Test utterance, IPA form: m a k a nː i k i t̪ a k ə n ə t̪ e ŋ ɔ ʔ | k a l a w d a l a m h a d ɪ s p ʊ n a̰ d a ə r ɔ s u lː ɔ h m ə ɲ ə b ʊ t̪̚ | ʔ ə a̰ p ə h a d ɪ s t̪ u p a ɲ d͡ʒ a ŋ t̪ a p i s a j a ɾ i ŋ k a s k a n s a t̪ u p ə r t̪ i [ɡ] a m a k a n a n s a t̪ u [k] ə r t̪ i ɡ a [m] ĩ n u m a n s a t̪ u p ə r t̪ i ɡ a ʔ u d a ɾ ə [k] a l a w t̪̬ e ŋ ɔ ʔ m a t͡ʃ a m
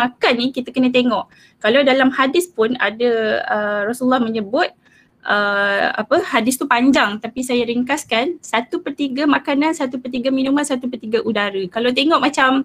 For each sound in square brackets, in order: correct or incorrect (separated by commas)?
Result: correct, incorrect, correct, correct